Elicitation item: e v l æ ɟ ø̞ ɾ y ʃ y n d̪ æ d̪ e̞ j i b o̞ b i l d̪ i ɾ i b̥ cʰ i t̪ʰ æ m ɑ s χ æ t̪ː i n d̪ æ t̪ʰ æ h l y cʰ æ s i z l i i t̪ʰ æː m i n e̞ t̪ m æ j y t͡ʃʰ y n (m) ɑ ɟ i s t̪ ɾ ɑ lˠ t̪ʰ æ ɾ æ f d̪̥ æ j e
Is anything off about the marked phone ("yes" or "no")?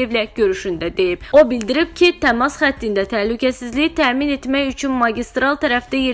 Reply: no